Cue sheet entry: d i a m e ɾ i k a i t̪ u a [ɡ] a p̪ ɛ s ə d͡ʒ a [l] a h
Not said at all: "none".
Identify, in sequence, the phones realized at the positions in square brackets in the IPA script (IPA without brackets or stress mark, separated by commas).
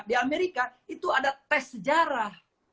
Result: d, ɾ